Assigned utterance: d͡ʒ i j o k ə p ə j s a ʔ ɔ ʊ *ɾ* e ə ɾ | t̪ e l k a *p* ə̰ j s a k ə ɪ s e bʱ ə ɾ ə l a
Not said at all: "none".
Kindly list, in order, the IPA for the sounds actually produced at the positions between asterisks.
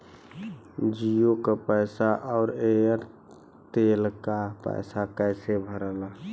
ɾ, p

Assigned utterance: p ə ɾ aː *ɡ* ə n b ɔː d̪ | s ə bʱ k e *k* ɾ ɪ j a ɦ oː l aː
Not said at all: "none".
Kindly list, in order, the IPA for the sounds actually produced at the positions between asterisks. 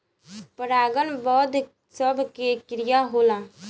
ɡ, k

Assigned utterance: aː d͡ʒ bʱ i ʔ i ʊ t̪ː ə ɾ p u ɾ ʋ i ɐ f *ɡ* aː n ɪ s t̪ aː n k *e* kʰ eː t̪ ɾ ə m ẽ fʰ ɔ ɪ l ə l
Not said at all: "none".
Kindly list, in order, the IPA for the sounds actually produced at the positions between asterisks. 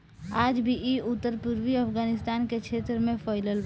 ɡ, e

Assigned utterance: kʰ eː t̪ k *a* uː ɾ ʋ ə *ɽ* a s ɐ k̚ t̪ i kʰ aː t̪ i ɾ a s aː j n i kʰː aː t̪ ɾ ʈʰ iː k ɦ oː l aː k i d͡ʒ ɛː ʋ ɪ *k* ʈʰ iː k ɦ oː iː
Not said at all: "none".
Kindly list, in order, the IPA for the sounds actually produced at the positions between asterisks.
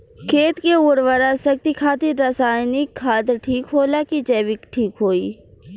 e, ɾ, k

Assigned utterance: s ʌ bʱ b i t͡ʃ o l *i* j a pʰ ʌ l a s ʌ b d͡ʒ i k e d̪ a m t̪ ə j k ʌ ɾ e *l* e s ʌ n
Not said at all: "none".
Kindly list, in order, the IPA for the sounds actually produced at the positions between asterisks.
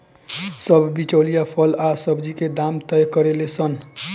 i, l

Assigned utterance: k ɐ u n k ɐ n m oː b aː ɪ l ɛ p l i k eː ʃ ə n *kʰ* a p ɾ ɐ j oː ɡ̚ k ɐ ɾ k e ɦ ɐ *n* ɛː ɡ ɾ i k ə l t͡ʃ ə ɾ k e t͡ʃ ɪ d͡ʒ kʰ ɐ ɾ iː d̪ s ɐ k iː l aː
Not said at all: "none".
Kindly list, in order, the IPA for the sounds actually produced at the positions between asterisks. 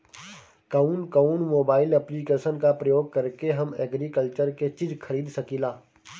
k, m

